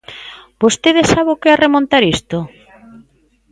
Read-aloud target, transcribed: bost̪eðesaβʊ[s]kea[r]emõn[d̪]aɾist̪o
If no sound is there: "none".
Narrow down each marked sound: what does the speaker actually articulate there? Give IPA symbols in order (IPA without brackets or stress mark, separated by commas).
none, r, t̪